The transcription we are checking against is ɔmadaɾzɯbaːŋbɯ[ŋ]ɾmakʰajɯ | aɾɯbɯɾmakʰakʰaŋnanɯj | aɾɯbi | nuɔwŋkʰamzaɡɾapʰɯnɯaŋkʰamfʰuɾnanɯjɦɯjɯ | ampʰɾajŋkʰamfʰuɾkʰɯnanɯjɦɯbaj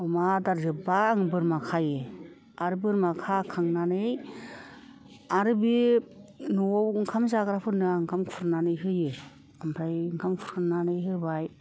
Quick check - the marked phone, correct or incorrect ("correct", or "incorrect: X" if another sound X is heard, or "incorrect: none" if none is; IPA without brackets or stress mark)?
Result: incorrect: none